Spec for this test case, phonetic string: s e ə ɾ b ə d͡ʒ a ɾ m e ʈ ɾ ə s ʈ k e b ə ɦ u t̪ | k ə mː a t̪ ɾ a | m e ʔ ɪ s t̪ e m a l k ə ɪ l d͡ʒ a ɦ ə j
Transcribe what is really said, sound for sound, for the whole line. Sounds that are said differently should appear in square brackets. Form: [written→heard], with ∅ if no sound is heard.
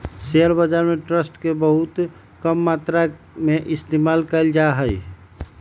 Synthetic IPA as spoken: s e ə ɾ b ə d͡ʒ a ɾ m e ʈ ɾ ə s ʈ k e b ə ɦ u t̪ | k ə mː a t̪ ɾ a | m e ʔ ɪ s t̪ e m a l k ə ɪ l d͡ʒ a ɦ ə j